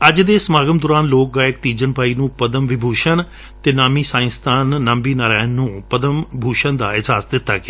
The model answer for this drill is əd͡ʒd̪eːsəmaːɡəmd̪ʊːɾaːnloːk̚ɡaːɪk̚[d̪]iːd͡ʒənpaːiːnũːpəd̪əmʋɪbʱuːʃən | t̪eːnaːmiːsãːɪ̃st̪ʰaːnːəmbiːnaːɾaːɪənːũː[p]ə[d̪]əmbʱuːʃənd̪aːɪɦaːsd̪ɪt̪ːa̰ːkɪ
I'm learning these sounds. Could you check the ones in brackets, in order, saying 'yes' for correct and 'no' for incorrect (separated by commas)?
no, yes, yes